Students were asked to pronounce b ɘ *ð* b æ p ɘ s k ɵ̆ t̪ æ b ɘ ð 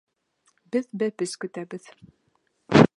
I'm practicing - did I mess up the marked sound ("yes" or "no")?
no